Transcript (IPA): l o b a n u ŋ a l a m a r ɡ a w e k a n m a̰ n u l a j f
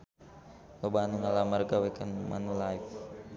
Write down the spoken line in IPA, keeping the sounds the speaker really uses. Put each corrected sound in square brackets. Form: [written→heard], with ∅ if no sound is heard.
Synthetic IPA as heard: l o b a n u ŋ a l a m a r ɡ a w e k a n m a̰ n u l a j f